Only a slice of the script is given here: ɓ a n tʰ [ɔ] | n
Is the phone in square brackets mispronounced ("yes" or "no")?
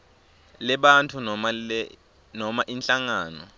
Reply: yes